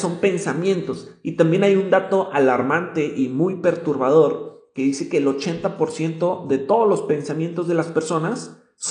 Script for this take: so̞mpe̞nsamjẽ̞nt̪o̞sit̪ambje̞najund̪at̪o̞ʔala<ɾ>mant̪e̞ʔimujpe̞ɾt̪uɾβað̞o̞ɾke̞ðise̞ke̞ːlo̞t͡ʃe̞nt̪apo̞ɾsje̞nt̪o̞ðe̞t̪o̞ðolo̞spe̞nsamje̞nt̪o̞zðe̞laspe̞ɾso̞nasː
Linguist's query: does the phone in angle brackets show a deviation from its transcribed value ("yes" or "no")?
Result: no